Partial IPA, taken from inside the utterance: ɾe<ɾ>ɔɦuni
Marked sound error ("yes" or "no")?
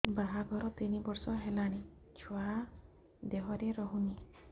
no